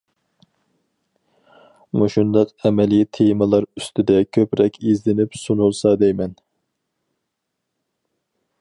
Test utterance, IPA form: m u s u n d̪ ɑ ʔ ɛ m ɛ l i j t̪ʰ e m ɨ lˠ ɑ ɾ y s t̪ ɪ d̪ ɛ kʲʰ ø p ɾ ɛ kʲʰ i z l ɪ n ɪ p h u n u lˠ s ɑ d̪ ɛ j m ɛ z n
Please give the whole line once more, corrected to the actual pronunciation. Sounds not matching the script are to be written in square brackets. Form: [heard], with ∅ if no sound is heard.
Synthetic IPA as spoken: m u [ʃ] u n d̪ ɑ [q] ɛ m ɛ l i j t̪ʰ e m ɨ lˠ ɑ ɾ y s t̪ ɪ d̪ ɛ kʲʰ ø p ɾ ɛ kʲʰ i z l ɪ n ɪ p [s] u n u lˠ s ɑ d̪ ɛ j m ɛ [∅] n